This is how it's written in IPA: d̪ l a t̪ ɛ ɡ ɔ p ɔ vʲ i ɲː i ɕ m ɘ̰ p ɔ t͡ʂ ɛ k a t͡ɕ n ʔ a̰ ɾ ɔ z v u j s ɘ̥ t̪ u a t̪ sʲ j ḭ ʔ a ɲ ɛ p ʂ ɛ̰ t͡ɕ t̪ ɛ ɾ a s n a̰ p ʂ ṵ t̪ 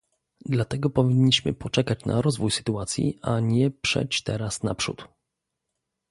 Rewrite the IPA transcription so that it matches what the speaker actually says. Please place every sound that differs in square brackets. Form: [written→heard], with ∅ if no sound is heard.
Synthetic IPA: d̪ l a t̪ ɛ ɡ ɔ p ɔ vʲ i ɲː i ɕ m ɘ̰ p ɔ t͡ʂ ɛ k a t͡ɕ n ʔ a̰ ɾ ɔ z v u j s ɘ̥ t̪ u a t̪ sʲ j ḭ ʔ a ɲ ɛ p ʂ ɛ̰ t͡ɕ t̪ ɛ ɾ a s n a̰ p ʂ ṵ t̪